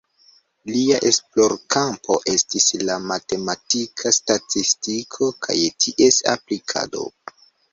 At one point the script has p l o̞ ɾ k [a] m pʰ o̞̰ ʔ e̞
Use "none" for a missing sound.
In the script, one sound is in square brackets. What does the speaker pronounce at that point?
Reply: a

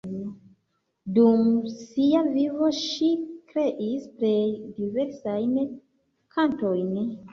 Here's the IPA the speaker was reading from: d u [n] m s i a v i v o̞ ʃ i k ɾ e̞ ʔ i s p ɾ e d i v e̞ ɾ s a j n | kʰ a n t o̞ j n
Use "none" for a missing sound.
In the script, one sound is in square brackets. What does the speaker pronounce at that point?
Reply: none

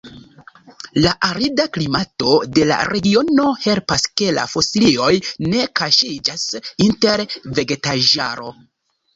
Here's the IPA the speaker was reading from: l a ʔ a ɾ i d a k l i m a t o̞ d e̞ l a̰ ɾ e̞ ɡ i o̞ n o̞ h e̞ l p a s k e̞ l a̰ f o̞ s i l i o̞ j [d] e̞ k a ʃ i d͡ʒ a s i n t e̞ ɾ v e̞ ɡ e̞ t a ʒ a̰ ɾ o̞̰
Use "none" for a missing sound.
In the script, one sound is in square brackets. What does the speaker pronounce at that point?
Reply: n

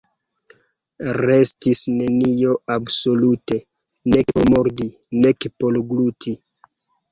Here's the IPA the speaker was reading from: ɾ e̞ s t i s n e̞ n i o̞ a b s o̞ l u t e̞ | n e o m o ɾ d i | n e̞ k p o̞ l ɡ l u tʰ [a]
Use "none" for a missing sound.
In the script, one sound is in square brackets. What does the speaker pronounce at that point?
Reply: i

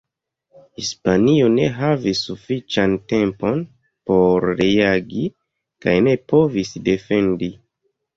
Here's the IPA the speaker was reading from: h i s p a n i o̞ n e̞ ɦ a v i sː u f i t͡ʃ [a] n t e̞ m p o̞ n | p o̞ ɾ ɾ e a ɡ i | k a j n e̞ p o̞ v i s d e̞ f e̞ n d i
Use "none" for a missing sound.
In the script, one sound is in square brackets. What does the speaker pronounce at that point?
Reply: a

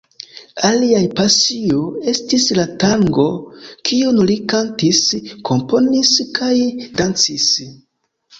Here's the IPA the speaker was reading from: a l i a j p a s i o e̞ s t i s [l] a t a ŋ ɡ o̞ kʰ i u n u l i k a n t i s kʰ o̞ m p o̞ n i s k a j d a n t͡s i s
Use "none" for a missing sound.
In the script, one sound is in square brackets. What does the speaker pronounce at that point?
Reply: l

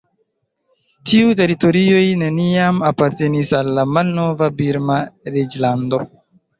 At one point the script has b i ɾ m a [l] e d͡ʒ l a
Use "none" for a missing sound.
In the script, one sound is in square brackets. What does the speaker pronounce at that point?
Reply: ɾ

